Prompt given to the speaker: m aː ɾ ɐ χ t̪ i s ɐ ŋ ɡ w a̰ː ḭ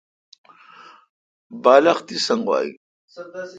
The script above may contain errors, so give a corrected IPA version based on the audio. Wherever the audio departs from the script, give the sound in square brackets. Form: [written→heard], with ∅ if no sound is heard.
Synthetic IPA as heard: [m→b] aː [ɾ→l] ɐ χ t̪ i s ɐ ŋ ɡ w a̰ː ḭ